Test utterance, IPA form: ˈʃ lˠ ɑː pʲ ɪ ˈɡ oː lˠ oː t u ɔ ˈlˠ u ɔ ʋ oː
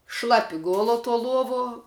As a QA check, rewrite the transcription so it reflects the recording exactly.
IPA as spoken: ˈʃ lˠ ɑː pʲ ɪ ˈɡ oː lˠ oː t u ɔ ˈlˠ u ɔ ʋ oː